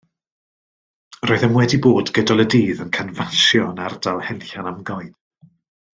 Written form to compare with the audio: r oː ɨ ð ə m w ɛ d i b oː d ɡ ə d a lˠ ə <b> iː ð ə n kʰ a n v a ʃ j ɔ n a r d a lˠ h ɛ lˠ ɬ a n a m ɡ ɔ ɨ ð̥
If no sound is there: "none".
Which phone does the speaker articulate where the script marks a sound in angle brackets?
d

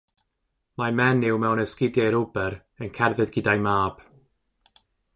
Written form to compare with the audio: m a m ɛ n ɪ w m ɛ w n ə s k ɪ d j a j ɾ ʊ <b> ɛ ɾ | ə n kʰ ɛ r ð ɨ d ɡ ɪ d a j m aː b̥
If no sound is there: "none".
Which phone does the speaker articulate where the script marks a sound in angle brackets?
b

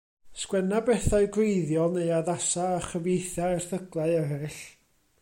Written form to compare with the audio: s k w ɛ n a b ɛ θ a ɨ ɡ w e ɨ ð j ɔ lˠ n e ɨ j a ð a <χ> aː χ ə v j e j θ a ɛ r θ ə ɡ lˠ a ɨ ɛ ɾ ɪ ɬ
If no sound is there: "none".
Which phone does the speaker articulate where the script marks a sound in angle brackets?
s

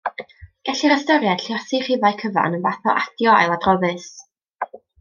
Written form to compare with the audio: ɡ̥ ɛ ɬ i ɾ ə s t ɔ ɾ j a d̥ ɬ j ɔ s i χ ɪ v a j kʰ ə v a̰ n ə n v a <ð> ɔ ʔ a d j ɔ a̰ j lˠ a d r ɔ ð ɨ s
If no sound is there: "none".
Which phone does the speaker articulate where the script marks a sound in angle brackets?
θ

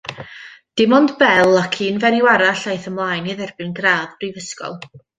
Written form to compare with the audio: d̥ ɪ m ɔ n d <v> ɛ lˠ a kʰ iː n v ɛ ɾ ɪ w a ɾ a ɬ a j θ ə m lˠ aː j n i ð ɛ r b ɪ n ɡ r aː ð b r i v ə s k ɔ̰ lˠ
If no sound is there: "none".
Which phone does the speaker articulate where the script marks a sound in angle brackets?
b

